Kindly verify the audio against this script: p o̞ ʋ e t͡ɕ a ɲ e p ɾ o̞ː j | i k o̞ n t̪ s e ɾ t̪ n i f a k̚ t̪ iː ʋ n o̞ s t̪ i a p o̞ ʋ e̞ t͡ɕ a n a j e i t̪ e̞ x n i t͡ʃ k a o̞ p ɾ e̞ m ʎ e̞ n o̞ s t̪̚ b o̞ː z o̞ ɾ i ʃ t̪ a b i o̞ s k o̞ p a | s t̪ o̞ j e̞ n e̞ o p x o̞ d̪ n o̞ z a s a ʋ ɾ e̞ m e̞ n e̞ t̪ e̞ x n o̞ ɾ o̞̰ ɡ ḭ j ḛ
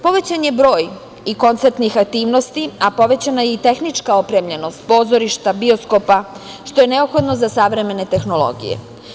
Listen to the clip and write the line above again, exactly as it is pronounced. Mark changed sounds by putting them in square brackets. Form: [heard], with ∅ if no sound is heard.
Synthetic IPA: p o̞ ʋ e t͡ɕ a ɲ e [b] ɾ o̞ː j | i k o̞ n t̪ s e ɾ t̪ n i [x] a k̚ t̪ iː ʋ n o̞ s t̪ i a p o̞ ʋ e̞ t͡ɕ a n a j e i t̪ e̞ x n i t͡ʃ k a o̞ p ɾ e̞ m ʎ e̞ n o̞ s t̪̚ [p] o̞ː z o̞ ɾ i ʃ t̪ a b i o̞ s k o̞ p a | [ʃ] t̪ o̞ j e̞ n e̞ o p x o̞ d̪ n o̞ z a s a ʋ ɾ e̞ m e̞ n e̞ t̪ e̞ x n o̞ [l] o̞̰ ɡ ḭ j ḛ